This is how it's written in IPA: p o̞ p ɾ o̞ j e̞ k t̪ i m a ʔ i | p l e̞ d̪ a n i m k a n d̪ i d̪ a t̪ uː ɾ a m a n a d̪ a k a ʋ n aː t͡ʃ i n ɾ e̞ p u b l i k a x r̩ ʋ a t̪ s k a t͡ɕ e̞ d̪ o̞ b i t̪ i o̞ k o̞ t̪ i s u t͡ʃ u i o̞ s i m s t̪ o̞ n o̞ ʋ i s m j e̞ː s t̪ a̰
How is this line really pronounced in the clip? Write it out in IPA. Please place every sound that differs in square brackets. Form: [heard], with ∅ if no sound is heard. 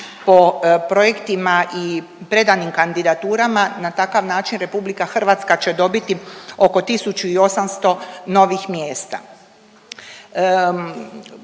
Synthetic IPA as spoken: p o̞ p ɾ o̞ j e̞ k t̪ i m a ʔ i | p [ɾ] e̞ d̪ a n i m k a n d̪ i d̪ a t̪ uː ɾ a m a n a [t̪] a k a ʋ n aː t͡ʃ i n ɾ e̞ p u b l i k a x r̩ ʋ a t̪ s k a t͡ɕ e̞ d̪ o̞ b i t̪ i o̞ k o̞ t̪ i s u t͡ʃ u i o̞ s [a] m s t̪ o̞ n o̞ ʋ i [x] m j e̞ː s t̪ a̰